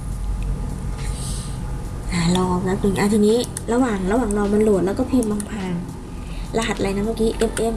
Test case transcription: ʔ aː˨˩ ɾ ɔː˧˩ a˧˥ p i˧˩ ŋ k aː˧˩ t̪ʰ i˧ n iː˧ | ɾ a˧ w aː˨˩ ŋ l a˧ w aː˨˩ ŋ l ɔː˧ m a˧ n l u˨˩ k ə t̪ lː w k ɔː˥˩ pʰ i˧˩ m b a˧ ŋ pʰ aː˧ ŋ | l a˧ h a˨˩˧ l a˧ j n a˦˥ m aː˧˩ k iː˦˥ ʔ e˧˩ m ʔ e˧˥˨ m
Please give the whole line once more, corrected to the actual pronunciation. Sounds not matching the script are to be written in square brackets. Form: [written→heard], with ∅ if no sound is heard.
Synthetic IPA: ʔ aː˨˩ [ɾ→l] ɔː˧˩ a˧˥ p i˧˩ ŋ [k→ʔ] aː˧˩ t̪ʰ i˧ n [iː˧→iː˦˥] | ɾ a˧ w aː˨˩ ŋ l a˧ w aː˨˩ ŋ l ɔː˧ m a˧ n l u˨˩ [k→∅] ə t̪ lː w k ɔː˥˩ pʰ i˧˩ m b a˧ ŋ pʰ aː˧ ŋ | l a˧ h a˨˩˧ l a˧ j n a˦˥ m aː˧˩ k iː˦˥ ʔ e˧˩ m ʔ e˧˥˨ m